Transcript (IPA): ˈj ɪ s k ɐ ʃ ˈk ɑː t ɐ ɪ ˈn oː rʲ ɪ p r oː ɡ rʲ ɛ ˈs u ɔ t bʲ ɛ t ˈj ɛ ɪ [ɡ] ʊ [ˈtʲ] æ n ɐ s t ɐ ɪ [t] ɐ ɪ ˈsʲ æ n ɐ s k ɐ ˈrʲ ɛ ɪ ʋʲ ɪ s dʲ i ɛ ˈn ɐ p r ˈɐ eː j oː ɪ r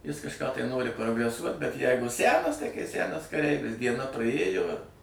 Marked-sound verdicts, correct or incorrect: correct, incorrect: sʲ, incorrect: k

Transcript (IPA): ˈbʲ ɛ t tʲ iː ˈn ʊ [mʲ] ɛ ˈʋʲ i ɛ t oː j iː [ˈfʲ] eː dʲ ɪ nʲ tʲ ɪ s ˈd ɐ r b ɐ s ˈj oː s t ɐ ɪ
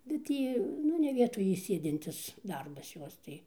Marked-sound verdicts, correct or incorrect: incorrect: nʲ, incorrect: sʲ

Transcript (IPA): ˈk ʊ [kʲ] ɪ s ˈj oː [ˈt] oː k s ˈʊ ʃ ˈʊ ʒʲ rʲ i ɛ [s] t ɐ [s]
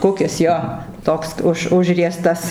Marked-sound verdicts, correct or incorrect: correct, correct, correct, correct

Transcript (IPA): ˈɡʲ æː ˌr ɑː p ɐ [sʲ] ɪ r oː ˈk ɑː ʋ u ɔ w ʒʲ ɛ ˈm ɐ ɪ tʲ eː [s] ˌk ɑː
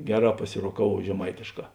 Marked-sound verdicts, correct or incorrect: correct, incorrect: ʃ

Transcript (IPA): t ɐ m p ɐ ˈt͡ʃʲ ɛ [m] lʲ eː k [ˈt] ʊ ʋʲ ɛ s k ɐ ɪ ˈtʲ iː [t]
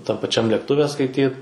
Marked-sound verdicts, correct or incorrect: correct, correct, correct

